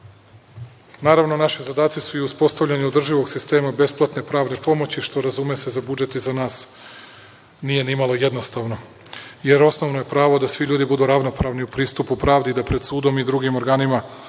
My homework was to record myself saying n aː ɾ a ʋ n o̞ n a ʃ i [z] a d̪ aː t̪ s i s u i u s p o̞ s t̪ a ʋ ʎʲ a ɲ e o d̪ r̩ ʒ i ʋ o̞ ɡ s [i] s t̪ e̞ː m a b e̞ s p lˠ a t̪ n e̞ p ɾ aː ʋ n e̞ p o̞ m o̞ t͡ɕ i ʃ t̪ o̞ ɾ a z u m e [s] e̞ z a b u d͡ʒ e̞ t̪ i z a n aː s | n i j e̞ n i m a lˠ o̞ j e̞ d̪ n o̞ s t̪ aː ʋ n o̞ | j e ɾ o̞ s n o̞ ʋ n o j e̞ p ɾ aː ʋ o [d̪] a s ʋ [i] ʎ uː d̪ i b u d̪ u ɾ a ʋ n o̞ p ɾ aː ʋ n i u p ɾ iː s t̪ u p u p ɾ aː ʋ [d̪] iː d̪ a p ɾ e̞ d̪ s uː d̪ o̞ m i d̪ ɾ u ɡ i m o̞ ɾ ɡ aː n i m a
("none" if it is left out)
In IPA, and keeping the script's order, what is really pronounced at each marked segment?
z, i, s, d̪, i, d̪

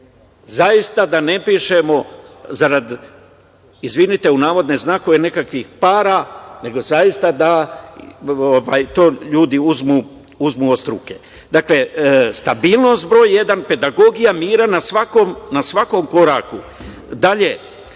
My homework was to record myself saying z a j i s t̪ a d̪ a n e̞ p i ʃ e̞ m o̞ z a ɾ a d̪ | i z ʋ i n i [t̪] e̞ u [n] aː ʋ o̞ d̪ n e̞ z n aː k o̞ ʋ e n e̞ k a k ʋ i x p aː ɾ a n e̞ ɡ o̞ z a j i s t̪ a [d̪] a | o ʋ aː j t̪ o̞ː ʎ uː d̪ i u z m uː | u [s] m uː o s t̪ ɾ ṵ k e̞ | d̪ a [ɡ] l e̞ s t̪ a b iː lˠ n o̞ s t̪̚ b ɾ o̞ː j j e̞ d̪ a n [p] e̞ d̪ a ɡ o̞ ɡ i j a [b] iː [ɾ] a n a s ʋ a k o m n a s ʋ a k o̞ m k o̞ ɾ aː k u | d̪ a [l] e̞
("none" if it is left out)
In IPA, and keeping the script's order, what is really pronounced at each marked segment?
t̪, n, d̪, z, k, p, m, ɾ, ʎ

